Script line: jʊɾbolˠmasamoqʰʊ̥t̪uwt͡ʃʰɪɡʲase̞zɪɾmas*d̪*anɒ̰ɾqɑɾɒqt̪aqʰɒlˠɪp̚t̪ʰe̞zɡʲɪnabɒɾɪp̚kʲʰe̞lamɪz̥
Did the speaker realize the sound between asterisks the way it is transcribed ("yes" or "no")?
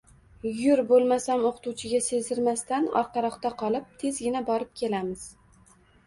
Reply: no